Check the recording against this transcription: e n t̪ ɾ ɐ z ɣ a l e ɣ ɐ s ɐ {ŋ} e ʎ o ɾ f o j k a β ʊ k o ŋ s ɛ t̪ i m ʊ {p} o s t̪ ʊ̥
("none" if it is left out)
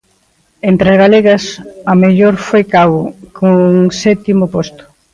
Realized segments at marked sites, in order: m, p

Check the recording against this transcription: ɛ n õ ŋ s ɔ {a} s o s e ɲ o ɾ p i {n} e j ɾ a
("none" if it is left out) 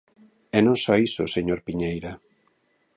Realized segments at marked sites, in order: i, ɲ

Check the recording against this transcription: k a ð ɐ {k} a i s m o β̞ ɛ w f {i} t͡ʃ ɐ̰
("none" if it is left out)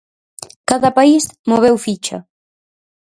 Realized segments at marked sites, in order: p, i

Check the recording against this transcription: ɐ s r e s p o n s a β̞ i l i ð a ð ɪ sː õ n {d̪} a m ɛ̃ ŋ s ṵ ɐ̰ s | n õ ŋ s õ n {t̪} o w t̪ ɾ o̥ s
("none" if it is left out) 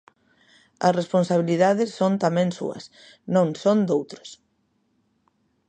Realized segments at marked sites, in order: t̪, d̪

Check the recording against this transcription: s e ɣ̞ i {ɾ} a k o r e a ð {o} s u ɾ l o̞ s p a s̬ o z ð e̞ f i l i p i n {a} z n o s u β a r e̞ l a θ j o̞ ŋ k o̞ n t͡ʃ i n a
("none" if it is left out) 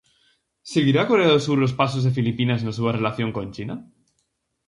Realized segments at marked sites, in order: ɾ, o, a

